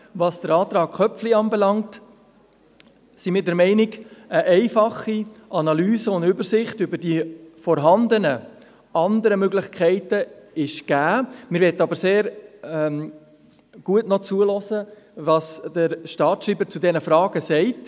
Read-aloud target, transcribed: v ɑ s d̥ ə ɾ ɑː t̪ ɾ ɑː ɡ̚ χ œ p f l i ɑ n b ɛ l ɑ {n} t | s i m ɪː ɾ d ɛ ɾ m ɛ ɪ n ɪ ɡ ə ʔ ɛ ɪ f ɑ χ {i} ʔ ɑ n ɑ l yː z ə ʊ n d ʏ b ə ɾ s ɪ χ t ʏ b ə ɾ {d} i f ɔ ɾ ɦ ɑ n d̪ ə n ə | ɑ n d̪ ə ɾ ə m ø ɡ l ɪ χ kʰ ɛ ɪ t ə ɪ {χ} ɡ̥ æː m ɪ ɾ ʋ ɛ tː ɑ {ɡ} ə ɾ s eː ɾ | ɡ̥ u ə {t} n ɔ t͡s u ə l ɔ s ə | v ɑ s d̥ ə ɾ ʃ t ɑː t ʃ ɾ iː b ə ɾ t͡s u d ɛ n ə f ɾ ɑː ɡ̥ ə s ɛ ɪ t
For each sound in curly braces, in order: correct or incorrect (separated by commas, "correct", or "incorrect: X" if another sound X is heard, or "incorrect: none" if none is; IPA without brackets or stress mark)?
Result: incorrect: ŋ, correct, correct, incorrect: ʃ, incorrect: b, correct